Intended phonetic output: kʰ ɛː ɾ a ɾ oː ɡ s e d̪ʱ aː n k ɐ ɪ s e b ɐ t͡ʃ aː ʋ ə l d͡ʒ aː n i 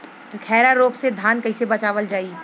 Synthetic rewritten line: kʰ ɛː ɾ a ɾ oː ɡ s e d̪ʱ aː n k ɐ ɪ s e b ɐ t͡ʃ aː ʋ ə l d͡ʒ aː i